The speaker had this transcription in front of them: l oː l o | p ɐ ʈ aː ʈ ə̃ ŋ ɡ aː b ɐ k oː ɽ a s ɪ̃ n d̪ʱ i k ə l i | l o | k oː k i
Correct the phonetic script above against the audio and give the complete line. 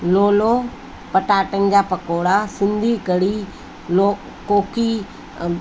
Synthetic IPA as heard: l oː l o | p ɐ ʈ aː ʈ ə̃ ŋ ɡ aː p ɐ k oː ɽ a s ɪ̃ n d̪ʱ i k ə ɽ i | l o | k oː k i